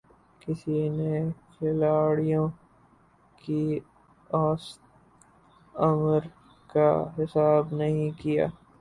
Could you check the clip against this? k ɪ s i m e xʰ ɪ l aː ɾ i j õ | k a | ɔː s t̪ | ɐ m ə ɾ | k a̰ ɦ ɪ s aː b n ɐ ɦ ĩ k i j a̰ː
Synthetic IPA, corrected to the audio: k ɪ s i n e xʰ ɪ l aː ɽ i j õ | k i | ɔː s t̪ | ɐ m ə ɾ | k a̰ ɦ ɪ s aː b n ɐ ɦ ĩ k i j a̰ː